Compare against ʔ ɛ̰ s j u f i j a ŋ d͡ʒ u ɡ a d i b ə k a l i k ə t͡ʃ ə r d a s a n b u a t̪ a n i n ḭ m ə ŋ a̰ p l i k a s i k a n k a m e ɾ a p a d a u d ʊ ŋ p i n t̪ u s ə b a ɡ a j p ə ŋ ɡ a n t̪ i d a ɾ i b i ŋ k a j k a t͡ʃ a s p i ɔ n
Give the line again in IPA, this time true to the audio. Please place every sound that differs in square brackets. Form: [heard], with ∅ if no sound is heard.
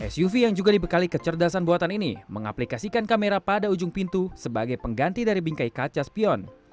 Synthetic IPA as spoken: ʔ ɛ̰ s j u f i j a ŋ d͡ʒ u ɡ a d i b ə k a l i k ə t͡ʃ ə r d a s a n b u a t̪ a n i n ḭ m ə ŋ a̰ p l i k a s i k a n k a m e ɾ a p a d a u [d͡ʒ] ʊ ŋ p i n t̪ u s ə b a ɡ a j p ə ŋ ɡ a n t̪ i d a ɾ i b i ŋ k a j k a t͡ʃ a s p i ɔ n

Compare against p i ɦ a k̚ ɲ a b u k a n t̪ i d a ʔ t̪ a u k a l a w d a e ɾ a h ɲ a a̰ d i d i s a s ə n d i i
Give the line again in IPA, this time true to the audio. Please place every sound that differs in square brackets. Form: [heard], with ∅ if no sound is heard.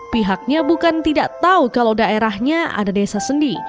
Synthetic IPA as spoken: p i ɦ a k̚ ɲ a b u k a n t̪ i d a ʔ t̪ a u k a l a w d a e ɾ a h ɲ a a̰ d [a] d [e] s a s ə n d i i

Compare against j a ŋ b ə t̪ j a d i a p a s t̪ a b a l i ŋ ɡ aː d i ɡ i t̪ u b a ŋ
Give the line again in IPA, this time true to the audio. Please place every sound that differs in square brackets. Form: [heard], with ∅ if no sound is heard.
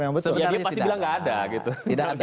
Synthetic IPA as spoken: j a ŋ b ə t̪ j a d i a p a s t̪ [i] b [i] l [a] ŋ ɡ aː d [a] ɡ i t̪ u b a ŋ

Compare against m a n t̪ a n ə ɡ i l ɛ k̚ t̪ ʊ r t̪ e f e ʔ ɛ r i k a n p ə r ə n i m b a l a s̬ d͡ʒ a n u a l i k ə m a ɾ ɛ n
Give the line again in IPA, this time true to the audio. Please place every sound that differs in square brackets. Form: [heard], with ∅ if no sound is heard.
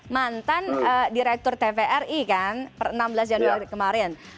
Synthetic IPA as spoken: m a n t̪ a n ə [d] i [ɾ] ɛ k̚ t̪ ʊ r t̪ e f e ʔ ɛ r i k a n p ə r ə n [a] m b [ə] l a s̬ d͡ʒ a n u a [ɾ] i k ə m a ɾ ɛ n

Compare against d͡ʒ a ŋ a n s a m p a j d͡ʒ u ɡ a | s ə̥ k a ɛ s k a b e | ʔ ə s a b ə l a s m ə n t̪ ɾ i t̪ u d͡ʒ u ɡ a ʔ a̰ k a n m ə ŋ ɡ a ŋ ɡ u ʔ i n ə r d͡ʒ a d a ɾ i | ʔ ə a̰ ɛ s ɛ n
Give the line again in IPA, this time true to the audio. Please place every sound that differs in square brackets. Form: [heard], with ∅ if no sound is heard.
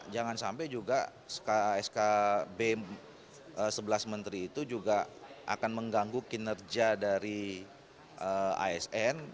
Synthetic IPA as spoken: d͡ʒ a ŋ a n s a m p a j d͡ʒ u ɡ a | s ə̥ k a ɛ s k a b e | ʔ ə s [ə] b ə l a s m ə n t̪ ɾ [iː] t̪ u d͡ʒ u ɡ a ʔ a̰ k a n m ə ŋ ɡ a ŋ ɡ u [k] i n ə r d͡ʒ a d a ɾ i | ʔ ə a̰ ɛ s ɛ n

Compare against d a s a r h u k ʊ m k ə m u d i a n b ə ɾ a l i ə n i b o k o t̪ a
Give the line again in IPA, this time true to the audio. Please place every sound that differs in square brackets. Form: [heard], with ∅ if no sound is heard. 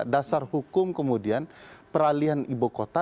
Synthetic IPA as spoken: d a s a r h u k ʊ m k ə m u d i a n [p] ə ɾ a l i [a] n i b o k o t̪ a

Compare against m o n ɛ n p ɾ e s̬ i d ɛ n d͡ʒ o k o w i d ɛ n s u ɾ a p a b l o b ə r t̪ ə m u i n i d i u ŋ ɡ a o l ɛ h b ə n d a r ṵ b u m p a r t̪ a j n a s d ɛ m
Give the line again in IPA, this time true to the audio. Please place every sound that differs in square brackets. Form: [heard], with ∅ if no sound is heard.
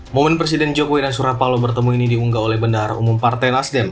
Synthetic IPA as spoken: m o [m] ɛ n p ɾ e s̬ i d ɛ n d͡ʒ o k o w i d [a] n s u ɾ a p a [∅] l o b ə r t̪ ə m u i n i d i u ŋ ɡ a o l ɛ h b ə n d a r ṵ [m] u m p a r t̪ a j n a s d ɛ m

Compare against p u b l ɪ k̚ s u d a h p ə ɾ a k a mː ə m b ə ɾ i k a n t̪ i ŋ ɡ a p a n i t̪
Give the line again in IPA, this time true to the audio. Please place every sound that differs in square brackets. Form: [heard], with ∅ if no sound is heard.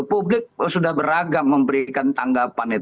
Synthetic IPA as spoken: p u b l ɪ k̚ s u d a h [b] ə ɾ a [ɡ] a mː ə m b ə ɾ i k a n t̪ [a] ŋ ɡ a p a n i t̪

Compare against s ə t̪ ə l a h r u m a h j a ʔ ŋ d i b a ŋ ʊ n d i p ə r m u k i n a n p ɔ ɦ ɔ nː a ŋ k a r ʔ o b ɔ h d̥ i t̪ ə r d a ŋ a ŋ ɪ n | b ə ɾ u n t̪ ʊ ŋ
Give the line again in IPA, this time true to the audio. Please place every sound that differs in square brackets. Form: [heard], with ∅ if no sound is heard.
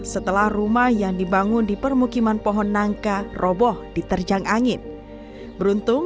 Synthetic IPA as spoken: s ə t̪ ə l a h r u m a h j a [∅] ŋ d i b a ŋ ʊ n d i p ə r m u k i [m] a n p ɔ ɦ ɔ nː a ŋ k a r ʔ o b ɔ h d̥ i t̪ ə r [d͡ʒ] a ŋ a ŋ ɪ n | b ə ɾ u n t̪ ʊ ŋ

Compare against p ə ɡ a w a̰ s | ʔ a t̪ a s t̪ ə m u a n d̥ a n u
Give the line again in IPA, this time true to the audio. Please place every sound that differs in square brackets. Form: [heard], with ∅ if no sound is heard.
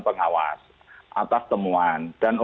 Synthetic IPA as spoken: p ə [ŋ] a w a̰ s | ʔ a t̪ a s t̪ ə m u a n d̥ a n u

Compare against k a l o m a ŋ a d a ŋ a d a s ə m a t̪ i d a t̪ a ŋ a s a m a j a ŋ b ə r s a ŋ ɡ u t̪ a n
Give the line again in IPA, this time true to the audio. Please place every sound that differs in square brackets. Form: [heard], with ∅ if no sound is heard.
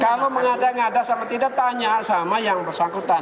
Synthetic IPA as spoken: k a l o m [ə] ŋ a d a ŋ a d a s [a] m a t̪ i d a t̪ a [ɲ] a s a m a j a ŋ b ə r s a ŋ [k] u t̪ a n

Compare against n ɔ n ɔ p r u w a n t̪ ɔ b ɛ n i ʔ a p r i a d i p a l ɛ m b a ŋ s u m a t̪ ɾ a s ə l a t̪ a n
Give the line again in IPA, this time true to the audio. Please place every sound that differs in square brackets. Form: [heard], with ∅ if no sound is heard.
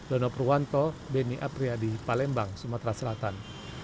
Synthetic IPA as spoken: [d] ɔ n ɔ p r u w a n t̪ ɔ b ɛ n i ʔ a p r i a d i p a l ɛ m b a ŋ s u m a t̪ ɾ a s ə l a t̪ a n

